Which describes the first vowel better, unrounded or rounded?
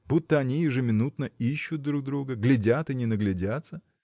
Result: rounded